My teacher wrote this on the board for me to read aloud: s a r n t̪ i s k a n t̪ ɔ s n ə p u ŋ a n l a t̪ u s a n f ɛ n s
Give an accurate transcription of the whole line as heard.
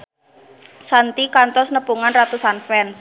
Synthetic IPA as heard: s a n t̪ i k a n t̪ ɔ s n ə p u ŋ a n r a t̪ u s a n f ɛ n s

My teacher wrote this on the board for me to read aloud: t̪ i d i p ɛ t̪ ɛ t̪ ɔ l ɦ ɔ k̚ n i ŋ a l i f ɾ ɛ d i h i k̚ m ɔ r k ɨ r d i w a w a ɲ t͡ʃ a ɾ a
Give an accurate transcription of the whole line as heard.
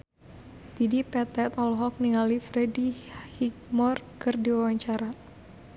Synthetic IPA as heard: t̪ i d i p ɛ t̪ ɛ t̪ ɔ l ɦ ɔ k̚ n i ŋ a l i f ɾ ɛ d i h i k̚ m ɔ r k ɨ r d i w a w a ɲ t͡ʃ a ɾ a

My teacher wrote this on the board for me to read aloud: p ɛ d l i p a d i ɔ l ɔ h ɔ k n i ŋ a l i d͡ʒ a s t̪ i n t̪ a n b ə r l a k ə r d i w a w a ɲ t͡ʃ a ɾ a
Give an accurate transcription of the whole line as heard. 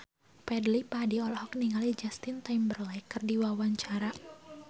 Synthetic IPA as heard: p ɛ d l i p a d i ɔ l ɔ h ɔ k n i ŋ a l i d͡ʒ a s t̪ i n t̪ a m b ə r l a k ə r d i w a w a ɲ t͡ʃ a ɾ a

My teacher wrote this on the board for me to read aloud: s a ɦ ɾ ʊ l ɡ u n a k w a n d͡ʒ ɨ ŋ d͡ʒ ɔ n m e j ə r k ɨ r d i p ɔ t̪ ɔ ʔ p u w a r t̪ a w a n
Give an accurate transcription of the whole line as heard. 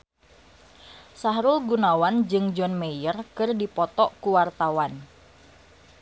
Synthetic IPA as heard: s a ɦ ɾ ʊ l ɡ u n a w a n d͡ʒ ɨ ŋ d͡ʒ ɔ n m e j ə r k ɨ r d i p ɔ t̪ ɔ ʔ k u w a r t̪ a w a n

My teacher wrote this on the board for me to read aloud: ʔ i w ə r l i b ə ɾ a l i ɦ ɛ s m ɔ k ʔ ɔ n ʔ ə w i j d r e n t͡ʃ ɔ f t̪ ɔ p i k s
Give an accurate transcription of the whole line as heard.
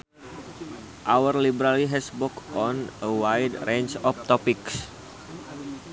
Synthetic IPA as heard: ʔ a w ə r l i b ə ɾ a l i ɦ ɛ s b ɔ k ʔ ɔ n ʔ ə w a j d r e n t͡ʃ ɔ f t̪ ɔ p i k s

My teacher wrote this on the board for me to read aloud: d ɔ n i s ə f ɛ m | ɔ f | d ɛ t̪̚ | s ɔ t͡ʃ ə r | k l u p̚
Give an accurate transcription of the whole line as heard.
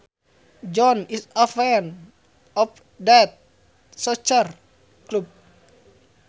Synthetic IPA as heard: d͡ʒ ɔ n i s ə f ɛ n | ɔ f | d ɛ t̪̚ | s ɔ t͡ʃ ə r | k l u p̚

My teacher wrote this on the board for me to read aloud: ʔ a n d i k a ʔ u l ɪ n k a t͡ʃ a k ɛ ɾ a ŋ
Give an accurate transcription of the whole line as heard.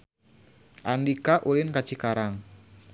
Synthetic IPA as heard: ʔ a n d i k a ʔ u l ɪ n k a t͡ʃ i k a ɾ a ŋ

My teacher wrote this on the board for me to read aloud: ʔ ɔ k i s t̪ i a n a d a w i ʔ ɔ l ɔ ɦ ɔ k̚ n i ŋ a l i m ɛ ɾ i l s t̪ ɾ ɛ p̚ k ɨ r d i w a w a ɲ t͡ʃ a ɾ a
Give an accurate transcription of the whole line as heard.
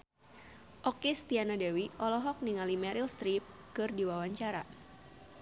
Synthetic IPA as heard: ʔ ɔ k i s t̪ i a n a d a w i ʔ ɔ l ɔ ɦ ɔ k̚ n i ŋ a l i m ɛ ɾ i l s t̪ ɾ i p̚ k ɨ r d i w a w a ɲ t͡ʃ a ɾ a

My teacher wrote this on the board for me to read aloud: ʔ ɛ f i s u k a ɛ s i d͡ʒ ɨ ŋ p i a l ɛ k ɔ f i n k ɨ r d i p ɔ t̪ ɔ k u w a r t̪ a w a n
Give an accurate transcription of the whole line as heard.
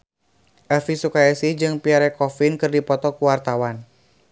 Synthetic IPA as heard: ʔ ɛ f i s u k a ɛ s i d͡ʒ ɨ ŋ p i a ɾ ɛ k ɔ f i n k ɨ r d i p ɔ t̪ ɔ k u w a r t̪ a w a n

